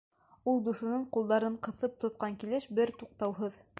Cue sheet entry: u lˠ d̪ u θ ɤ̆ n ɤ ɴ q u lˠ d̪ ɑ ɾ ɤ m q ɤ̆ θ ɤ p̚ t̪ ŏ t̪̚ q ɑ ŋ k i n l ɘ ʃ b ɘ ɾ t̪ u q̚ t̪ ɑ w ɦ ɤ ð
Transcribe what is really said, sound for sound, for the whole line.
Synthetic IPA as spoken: u lˠ d̪ u θ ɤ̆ n ɤ ɴ q u lˠ d̪ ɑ ɾ ɤ ɴ q ɤ̆ θ ɤ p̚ t̪ ŏ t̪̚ q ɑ ŋ k i l ɘ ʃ b ɘ ɾ t̪ u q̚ t̪ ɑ w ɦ ɤ ð